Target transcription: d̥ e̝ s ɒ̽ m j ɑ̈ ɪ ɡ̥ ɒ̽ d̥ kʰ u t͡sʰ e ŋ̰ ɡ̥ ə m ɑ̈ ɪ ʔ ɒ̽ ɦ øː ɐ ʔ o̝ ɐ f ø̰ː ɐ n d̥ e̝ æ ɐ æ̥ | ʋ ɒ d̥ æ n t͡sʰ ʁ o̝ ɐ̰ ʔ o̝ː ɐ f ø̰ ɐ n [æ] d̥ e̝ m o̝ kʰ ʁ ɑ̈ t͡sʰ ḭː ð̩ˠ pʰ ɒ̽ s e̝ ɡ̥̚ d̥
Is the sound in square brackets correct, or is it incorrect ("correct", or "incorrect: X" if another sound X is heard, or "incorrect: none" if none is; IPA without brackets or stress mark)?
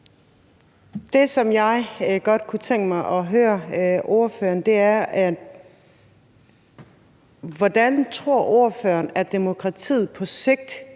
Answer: correct